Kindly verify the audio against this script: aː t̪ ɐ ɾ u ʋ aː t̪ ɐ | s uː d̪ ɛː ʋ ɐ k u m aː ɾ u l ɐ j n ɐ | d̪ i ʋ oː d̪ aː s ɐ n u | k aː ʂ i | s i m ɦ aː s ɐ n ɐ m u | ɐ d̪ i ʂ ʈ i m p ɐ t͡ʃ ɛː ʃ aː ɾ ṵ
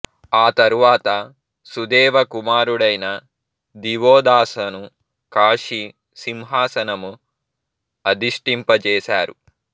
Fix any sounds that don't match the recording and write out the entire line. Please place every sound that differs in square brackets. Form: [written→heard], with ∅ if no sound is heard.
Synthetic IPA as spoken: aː t̪ ɐ ɾ u ʋ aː t̪ ɐ | s [uː→u] d̪ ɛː ʋ ɐ k u m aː ɾ u [l→ɽ] ɐ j n ɐ | d̪ i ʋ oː d̪ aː s ɐ n u | k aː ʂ i | s i m ɦ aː s ɐ n ɐ m u | ɐ d̪ i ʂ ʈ i m p ɐ t͡ʃ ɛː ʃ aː ɾ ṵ